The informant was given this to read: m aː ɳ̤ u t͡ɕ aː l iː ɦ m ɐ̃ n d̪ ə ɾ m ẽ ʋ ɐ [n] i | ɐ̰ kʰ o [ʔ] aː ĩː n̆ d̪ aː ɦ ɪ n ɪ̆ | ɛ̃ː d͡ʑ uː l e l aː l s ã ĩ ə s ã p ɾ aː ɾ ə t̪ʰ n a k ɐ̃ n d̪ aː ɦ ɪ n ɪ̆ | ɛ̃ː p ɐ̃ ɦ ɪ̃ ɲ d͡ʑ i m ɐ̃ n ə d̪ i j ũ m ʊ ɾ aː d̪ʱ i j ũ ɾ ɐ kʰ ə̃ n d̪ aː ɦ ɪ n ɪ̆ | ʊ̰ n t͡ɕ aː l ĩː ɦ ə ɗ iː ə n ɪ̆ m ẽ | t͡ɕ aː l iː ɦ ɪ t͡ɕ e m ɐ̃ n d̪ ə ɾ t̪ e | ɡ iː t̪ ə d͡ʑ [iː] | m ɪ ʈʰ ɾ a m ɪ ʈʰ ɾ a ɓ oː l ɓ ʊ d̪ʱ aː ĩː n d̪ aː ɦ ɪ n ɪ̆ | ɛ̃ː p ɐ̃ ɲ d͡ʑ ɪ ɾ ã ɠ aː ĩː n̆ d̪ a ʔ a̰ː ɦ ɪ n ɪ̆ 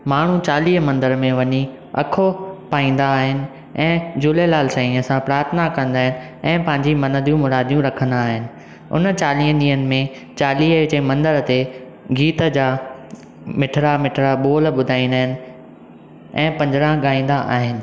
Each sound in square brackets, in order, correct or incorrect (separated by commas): incorrect, incorrect, incorrect